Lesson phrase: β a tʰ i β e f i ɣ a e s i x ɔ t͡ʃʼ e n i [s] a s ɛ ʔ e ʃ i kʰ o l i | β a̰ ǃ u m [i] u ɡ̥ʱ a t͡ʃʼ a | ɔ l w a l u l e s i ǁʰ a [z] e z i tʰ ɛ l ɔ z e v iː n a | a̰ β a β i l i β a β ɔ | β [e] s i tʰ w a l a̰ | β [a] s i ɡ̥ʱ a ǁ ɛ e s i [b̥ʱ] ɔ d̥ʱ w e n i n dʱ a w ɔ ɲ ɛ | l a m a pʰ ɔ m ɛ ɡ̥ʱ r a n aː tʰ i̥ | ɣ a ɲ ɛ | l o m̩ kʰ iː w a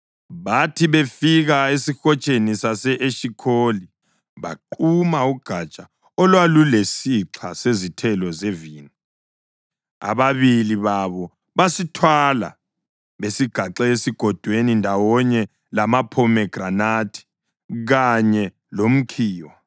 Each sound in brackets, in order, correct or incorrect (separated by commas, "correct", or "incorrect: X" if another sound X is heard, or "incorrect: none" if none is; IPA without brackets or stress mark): correct, incorrect: a, incorrect: s, incorrect: a, incorrect: e, incorrect: ɡ̥ʱ